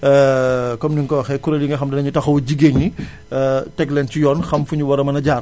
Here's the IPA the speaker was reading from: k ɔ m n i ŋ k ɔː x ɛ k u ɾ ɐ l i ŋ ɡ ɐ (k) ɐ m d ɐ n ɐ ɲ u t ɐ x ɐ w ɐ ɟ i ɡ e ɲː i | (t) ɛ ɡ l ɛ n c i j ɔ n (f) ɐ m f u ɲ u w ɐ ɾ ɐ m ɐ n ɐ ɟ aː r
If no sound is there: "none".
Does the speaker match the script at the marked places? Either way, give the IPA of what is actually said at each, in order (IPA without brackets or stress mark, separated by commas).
x, t, x